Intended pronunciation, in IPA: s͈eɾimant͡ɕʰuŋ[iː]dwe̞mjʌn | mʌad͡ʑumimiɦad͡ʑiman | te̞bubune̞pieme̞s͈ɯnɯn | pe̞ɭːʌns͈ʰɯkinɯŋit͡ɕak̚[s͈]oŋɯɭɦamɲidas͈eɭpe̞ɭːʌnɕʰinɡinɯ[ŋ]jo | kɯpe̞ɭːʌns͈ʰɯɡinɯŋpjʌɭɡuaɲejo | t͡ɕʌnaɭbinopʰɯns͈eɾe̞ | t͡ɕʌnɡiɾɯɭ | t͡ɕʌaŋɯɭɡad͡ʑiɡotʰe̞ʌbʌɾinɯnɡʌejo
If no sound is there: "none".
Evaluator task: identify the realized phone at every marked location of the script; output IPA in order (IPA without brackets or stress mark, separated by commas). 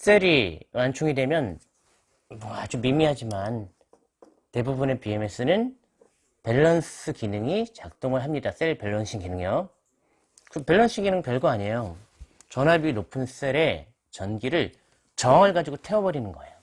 i, t͈, ŋ